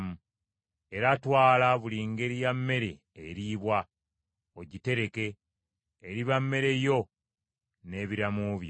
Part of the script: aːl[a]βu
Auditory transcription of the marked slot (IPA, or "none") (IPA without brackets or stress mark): a